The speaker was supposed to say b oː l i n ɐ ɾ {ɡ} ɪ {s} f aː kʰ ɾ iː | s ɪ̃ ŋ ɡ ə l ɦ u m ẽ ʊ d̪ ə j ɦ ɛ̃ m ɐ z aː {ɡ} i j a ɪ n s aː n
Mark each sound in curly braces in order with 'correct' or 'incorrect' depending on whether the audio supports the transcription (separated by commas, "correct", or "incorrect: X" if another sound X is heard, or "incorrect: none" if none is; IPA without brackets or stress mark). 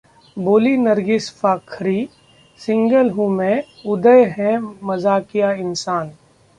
correct, correct, incorrect: k